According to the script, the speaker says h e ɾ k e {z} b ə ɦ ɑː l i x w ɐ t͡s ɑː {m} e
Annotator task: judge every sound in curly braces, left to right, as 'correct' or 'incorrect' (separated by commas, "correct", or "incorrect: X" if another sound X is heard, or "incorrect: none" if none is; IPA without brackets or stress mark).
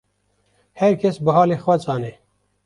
incorrect: s, incorrect: n